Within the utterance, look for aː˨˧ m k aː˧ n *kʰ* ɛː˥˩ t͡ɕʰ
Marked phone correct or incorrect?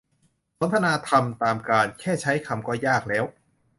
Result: correct